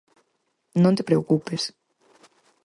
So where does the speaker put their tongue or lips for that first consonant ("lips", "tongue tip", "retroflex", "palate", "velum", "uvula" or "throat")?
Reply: tongue tip